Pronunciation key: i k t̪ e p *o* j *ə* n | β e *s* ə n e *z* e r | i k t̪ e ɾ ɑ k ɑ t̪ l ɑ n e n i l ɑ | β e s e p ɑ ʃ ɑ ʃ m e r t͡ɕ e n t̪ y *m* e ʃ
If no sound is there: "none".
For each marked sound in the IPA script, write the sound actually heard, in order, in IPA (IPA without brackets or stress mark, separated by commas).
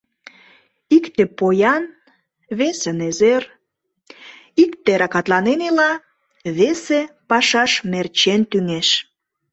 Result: o, ɑ, s, z, ŋ